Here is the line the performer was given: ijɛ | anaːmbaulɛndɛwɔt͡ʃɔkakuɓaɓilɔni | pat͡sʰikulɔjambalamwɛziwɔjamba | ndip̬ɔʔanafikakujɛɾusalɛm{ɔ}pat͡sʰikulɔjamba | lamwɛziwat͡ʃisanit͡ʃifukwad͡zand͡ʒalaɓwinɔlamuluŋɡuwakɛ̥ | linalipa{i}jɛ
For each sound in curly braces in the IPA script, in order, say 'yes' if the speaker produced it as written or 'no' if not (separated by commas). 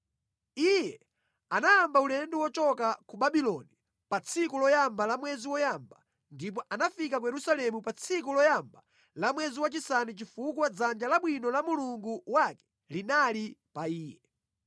no, no